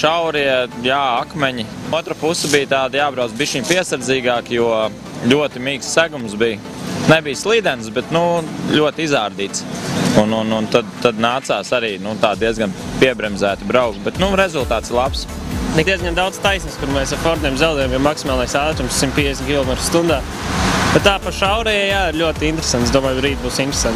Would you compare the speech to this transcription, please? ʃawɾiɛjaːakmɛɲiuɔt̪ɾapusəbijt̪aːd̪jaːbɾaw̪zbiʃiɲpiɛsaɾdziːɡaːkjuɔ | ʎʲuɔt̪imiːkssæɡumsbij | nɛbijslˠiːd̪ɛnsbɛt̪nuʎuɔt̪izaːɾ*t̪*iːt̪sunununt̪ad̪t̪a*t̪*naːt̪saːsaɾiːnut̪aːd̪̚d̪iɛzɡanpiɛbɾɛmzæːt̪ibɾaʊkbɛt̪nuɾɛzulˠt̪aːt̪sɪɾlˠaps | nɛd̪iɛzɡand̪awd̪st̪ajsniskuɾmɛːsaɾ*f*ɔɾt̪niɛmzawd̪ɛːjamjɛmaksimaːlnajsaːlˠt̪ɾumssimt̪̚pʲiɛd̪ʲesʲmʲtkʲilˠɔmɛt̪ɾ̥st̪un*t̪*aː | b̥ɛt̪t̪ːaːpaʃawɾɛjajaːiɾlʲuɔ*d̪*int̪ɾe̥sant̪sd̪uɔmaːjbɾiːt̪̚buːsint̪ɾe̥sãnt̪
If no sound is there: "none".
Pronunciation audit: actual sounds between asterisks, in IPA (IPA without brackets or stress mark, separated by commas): d̪, d̪, f, d̪, t̪